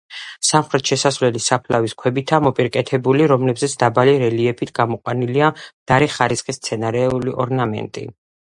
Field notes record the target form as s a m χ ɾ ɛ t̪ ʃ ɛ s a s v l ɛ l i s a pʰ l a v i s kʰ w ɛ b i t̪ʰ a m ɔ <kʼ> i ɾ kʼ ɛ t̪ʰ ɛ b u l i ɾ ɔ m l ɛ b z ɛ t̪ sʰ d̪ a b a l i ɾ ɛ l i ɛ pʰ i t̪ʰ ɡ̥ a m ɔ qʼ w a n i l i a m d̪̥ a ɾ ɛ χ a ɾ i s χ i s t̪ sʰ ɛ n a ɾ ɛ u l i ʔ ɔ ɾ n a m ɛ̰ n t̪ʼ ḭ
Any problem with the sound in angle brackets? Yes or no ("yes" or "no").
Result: yes